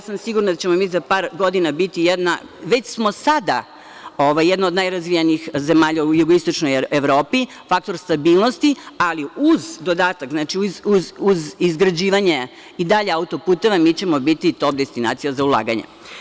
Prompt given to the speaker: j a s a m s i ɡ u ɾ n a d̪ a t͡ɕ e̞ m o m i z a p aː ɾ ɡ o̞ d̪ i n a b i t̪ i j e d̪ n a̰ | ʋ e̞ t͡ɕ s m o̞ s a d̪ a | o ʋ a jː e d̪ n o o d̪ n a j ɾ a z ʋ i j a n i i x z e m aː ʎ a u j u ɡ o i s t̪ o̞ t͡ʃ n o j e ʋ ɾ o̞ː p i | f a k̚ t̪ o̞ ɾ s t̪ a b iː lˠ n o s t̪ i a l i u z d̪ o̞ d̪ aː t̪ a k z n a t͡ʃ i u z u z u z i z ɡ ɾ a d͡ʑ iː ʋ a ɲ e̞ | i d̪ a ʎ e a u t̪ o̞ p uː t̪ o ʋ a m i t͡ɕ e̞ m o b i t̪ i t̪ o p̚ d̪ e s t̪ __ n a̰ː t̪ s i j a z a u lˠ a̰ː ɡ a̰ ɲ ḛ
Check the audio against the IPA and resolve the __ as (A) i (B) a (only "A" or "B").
A